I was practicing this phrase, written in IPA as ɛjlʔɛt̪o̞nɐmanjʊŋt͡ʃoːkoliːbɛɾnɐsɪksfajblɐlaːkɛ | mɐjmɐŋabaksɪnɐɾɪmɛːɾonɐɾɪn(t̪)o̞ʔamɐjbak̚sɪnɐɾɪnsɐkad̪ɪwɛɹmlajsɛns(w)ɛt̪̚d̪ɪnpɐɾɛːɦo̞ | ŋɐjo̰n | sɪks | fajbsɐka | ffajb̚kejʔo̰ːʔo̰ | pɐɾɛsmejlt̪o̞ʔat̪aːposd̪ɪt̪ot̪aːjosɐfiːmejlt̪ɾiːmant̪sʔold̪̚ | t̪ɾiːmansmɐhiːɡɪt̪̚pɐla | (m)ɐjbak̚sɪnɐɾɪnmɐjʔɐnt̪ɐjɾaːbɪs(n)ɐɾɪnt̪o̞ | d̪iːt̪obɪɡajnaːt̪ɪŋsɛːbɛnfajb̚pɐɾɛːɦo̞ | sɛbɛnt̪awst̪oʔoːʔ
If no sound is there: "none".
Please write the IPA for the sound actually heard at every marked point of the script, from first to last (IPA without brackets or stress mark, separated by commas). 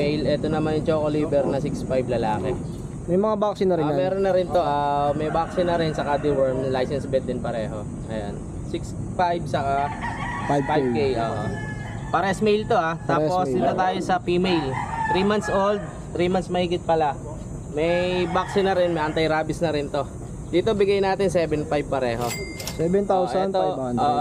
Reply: t̪, b, m, n